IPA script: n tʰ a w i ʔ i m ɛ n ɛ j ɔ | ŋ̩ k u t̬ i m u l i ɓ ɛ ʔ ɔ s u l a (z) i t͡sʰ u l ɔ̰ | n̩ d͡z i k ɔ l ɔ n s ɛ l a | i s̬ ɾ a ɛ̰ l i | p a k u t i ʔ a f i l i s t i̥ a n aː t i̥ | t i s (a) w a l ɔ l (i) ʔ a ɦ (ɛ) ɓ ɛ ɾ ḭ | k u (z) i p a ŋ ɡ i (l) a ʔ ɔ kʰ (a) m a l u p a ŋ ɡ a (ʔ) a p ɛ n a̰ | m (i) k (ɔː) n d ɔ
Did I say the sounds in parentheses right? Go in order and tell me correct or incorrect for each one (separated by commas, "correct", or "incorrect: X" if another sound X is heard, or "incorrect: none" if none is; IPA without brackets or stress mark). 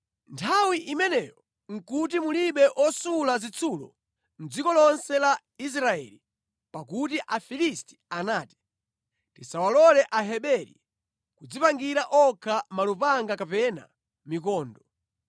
correct, correct, incorrect: ɛ, correct, incorrect: d͡z, incorrect: ɾ, correct, incorrect: k, correct, correct